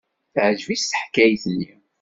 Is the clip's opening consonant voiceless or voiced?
voiceless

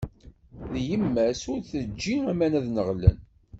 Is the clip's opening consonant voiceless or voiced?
voiced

